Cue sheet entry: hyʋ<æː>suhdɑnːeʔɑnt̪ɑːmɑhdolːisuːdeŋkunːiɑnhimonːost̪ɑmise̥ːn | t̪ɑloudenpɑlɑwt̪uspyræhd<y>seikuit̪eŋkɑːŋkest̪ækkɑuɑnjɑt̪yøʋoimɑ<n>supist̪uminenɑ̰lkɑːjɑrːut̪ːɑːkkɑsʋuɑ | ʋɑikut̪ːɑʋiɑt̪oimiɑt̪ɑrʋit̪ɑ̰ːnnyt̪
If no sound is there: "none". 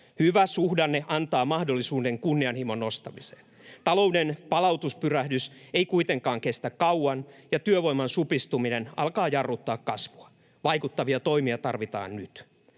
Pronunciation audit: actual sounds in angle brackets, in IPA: æ, y, n

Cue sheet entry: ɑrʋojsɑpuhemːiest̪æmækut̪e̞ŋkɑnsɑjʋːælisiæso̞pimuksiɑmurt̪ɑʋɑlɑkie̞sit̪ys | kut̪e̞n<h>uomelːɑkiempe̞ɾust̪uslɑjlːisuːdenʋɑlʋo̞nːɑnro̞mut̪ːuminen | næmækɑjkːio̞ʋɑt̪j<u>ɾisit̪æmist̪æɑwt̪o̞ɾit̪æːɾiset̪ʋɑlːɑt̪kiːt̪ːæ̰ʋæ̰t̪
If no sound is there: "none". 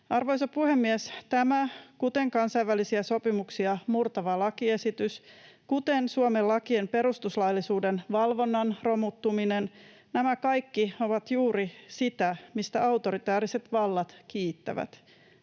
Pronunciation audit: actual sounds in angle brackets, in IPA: s, uː

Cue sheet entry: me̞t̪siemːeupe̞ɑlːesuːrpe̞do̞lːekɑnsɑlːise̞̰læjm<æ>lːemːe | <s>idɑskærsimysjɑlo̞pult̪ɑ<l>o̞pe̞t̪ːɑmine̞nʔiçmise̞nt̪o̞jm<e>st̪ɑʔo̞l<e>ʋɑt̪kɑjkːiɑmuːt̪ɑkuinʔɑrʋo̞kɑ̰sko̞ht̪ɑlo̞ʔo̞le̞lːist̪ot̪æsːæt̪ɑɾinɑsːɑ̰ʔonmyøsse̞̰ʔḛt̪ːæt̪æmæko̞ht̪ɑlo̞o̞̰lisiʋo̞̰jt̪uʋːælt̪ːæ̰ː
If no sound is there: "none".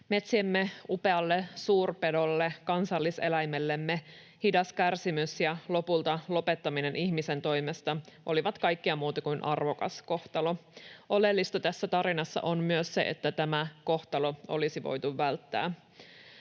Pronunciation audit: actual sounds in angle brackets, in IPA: e, h, l, e, i

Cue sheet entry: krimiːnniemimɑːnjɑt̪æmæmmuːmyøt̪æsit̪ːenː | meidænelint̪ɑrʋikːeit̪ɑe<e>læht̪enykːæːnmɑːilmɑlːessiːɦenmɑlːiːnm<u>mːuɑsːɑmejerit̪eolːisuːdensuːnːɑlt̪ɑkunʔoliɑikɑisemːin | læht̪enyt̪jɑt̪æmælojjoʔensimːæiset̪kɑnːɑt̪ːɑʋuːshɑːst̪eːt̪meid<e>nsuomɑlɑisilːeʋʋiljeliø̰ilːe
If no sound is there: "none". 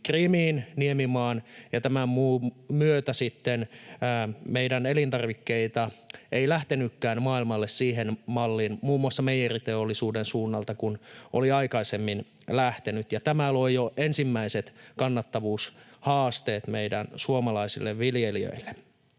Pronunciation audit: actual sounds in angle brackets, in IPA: i, uː, æ

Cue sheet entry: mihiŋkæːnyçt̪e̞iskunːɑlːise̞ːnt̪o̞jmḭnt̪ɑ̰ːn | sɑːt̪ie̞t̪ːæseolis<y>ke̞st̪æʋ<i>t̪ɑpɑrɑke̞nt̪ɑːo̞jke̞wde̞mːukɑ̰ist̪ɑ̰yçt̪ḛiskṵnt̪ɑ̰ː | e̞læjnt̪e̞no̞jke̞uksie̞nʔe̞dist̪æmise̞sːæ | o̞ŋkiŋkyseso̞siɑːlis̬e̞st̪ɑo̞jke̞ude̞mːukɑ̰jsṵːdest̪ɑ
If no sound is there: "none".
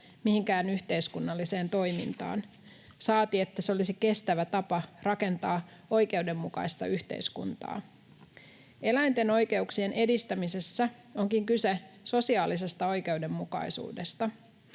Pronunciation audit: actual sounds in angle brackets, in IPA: i, æ

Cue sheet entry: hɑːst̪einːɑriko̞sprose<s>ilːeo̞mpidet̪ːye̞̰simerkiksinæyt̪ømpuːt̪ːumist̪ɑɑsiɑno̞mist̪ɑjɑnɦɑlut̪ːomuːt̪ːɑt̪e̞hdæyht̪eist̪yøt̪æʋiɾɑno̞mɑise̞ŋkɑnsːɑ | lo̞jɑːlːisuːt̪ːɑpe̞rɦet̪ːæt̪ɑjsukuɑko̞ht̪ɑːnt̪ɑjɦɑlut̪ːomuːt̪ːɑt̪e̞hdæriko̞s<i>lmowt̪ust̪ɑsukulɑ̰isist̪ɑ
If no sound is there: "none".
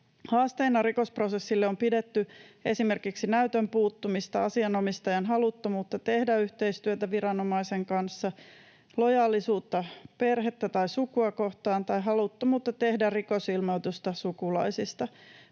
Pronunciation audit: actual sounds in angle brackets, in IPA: sː, i

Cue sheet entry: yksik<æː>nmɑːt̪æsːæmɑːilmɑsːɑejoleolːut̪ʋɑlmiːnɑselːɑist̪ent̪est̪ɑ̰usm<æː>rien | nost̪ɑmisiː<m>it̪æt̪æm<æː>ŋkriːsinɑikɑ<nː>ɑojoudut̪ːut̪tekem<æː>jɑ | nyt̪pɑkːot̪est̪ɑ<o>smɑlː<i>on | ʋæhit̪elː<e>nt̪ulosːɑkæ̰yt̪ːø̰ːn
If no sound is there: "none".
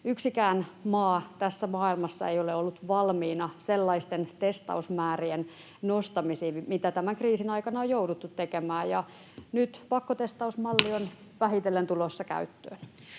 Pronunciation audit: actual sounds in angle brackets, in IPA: æː, æː, m, æ, n, æː, u, i, e

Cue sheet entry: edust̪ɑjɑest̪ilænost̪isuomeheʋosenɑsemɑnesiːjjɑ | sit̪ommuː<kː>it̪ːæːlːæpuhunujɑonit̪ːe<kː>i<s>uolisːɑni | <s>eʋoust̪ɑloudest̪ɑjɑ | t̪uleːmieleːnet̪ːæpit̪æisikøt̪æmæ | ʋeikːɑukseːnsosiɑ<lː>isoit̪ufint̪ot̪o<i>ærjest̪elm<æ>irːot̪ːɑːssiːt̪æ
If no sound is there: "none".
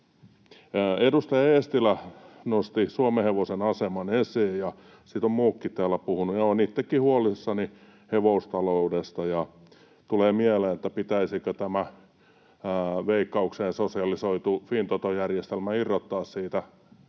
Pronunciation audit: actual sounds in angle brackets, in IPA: kː, kː, h, h, l, j, æ

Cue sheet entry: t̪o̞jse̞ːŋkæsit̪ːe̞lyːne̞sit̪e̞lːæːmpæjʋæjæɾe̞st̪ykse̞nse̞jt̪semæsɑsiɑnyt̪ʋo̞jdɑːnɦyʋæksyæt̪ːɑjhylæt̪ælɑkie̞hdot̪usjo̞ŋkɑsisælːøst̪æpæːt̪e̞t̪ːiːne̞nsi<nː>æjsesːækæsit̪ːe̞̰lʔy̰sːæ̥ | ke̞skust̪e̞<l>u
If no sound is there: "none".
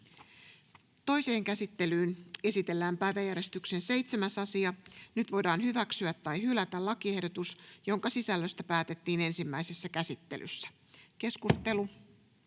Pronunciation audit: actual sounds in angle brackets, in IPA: mː, l

